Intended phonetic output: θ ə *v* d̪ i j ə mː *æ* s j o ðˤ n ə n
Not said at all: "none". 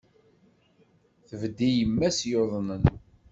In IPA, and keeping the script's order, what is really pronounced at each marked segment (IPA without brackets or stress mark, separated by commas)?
v, æ